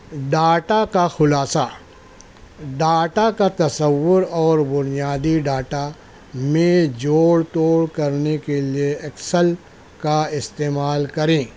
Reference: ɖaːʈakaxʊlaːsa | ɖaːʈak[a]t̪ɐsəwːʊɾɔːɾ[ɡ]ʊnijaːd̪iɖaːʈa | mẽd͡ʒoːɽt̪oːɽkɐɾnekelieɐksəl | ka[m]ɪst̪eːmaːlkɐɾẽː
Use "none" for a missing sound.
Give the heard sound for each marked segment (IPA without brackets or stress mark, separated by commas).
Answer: a, b, none